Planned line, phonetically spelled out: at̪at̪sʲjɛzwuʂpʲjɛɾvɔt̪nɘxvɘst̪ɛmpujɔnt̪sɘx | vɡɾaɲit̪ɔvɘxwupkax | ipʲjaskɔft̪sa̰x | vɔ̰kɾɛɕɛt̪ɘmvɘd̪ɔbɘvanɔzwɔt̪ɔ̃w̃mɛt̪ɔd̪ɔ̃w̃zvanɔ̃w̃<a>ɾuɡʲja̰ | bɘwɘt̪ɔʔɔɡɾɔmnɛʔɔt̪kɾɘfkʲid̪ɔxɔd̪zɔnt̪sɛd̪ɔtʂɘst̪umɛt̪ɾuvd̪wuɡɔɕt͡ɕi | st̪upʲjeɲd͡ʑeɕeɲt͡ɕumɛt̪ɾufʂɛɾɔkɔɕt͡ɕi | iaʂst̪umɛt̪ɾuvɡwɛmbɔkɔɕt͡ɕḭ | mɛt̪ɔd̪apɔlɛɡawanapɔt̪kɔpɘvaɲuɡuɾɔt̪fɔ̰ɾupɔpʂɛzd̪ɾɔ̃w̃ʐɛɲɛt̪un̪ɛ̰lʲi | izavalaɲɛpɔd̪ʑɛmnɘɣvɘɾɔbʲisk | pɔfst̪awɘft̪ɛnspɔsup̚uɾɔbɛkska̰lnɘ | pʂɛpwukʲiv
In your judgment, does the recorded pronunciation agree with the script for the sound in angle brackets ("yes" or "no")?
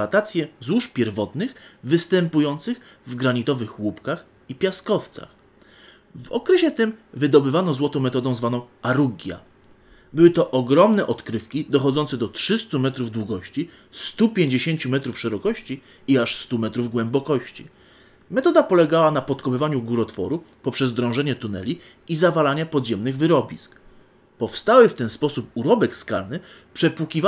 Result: yes